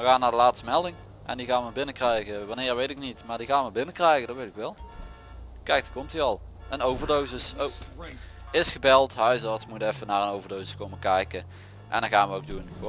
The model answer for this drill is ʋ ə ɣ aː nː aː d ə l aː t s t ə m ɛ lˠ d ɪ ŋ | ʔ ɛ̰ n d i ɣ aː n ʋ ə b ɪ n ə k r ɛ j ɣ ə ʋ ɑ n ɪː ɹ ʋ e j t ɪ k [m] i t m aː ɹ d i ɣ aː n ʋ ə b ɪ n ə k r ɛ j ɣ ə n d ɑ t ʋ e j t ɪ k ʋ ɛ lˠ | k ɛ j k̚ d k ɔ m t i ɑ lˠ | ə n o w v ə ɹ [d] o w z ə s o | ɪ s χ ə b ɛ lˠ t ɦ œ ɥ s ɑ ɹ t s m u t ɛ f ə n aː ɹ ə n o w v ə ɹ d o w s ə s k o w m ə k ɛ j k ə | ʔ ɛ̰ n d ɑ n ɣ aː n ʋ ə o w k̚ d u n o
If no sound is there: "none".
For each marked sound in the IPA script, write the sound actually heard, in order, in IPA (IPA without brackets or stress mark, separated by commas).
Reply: n, d